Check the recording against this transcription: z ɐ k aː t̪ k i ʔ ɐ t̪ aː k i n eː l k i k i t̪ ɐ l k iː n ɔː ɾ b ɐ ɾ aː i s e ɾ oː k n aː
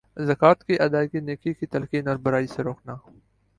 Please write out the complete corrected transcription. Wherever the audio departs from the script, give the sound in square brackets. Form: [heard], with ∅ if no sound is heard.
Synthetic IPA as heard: z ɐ k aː t̪ k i ʔ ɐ [d̪] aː k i n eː [∅] k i k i t̪ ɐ l k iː n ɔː ɾ b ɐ ɾ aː i s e ɾ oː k n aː

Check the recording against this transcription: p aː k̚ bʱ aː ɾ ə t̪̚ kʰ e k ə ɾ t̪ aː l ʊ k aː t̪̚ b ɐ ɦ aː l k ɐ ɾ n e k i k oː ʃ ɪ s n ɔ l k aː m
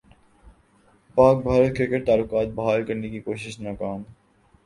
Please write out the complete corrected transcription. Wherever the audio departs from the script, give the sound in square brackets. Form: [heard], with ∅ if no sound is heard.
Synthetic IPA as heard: p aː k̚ bʱ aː ɾ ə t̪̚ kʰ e k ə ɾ t̪ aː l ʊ k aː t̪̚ b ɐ ɦ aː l k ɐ ɾ n e k i k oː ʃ ɪ [ʃ] n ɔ [∅] k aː m

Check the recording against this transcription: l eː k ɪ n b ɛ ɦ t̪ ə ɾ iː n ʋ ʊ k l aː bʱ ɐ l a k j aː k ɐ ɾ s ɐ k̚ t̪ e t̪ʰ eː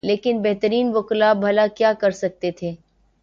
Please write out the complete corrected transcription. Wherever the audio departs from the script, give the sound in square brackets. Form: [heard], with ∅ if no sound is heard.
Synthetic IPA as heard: l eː k ɪ n b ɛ ɦ t̪ ə ɾ iː n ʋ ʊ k l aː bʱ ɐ l a k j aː k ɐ ɾ s ɐ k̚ t̪ e t̪ʰ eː

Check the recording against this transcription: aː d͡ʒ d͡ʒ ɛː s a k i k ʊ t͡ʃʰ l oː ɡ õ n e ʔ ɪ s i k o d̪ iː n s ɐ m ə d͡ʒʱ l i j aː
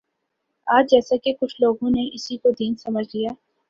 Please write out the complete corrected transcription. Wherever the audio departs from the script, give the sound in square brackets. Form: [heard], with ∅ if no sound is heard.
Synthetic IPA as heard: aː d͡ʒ d͡ʒ ɛː s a k [e] k ʊ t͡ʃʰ l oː ɡ õ n e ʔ ɪ s i k o d̪ iː n s ɐ m ə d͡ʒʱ l i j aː

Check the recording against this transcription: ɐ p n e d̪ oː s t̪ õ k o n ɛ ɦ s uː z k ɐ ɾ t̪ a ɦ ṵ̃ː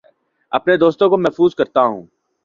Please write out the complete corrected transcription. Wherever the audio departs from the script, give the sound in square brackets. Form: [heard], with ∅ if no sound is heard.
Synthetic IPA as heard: ɐ p n e d̪ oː s t̪ õ k o [m] ɛ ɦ [f] uː z k ɐ ɾ t̪ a ɦ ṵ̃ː

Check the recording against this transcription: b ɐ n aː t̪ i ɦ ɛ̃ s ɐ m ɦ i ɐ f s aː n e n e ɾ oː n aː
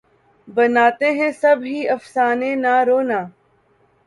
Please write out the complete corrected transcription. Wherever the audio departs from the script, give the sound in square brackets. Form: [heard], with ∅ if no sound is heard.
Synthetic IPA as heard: b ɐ n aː t̪ [e] ɦ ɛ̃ s ɐ [b] ɦ i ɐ f s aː n e n [a] ɾ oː n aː

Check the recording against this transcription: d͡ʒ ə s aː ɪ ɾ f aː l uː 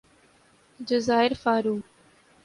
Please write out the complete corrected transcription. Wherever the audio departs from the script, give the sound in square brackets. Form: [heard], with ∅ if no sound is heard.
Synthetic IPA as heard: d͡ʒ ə [z] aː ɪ ɾ f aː [ɾ] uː

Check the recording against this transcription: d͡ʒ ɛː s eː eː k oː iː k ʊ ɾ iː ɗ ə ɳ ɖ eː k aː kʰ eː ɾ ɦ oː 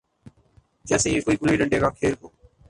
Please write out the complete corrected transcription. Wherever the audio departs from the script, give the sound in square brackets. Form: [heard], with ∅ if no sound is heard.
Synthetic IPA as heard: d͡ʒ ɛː s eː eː k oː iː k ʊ [l] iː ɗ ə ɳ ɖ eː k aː kʰ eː ɾ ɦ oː

